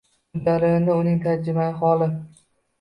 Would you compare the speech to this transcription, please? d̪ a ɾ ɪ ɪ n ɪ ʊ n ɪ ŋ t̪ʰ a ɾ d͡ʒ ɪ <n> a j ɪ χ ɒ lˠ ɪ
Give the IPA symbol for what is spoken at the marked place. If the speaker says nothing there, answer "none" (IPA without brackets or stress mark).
m